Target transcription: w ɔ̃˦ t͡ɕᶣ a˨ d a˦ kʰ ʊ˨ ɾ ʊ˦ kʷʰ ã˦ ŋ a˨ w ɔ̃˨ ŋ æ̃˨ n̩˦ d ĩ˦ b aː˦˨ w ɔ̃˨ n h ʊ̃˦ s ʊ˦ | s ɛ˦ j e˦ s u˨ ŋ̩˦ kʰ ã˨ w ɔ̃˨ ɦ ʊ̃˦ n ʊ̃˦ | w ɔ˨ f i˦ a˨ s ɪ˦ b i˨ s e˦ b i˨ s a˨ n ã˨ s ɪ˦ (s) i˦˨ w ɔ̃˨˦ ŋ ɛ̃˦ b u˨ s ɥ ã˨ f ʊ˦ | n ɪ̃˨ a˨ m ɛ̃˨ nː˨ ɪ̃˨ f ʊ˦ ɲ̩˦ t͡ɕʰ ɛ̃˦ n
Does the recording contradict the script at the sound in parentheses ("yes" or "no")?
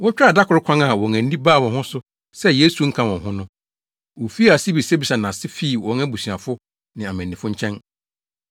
yes